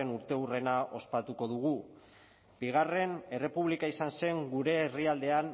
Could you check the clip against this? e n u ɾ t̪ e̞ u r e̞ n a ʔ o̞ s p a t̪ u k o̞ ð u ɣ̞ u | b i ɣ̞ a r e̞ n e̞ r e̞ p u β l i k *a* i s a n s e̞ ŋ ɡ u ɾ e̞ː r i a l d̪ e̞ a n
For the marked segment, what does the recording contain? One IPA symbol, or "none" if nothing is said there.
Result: a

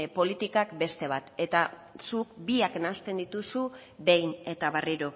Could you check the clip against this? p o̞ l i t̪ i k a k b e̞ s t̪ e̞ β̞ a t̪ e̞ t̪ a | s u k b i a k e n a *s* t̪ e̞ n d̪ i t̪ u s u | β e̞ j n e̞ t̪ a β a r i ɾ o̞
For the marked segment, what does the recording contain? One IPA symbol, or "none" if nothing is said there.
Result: s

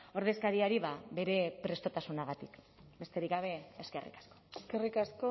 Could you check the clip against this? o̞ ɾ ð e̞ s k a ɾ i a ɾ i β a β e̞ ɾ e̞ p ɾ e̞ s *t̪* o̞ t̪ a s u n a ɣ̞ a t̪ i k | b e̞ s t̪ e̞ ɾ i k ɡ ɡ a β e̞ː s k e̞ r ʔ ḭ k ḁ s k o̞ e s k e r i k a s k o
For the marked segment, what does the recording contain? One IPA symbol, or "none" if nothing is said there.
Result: t̪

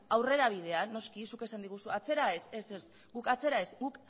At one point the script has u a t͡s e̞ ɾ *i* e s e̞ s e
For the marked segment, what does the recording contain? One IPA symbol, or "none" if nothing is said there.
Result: a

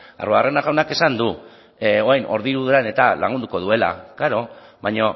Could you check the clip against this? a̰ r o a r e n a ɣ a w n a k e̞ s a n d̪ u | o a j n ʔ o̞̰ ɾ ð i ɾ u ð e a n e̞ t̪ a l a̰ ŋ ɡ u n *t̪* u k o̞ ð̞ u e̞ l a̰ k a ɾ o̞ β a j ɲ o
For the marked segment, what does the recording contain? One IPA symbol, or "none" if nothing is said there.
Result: d̪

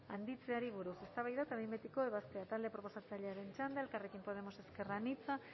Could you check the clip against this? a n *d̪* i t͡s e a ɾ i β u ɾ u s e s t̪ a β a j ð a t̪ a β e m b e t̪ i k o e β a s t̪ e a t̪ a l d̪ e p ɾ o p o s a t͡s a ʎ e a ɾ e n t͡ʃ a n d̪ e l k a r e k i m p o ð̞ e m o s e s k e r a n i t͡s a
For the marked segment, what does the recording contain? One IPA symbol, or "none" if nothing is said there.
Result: d̪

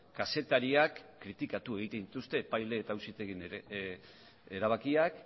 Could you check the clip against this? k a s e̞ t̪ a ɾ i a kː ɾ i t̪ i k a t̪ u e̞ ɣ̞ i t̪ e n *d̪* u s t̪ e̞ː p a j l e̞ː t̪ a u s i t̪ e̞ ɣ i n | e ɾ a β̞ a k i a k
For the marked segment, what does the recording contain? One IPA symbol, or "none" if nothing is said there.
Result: t̪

